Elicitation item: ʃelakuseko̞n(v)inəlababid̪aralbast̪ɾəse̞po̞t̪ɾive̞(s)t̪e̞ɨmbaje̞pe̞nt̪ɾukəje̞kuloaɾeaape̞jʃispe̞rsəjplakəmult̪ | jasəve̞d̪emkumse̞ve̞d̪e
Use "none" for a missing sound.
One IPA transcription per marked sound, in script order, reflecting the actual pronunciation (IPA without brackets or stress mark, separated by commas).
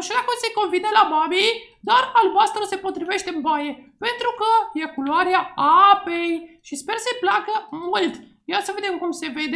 v, ʃ